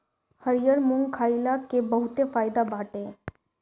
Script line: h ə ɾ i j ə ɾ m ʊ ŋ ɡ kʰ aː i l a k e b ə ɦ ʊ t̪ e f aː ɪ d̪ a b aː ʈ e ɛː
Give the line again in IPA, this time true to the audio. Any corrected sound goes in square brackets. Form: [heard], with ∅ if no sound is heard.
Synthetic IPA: h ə ɾ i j ə ɾ m ʊ ŋ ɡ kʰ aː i l a k e b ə ɦ ʊ t̪ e f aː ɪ d̪ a b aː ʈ e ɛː